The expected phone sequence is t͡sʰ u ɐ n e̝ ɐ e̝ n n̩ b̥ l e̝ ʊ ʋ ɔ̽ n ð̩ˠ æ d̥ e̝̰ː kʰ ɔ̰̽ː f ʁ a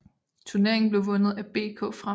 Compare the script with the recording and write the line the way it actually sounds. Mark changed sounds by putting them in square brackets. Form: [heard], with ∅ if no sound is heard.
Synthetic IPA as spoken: t͡sʰ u ɐ n e̝ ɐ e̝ [ŋ] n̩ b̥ l e̝ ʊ ʋ ɔ̽ n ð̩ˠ æ [b̥] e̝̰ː kʰ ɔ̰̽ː f ʁ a